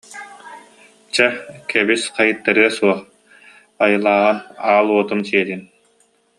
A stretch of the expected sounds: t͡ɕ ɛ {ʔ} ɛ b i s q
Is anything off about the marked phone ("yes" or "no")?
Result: yes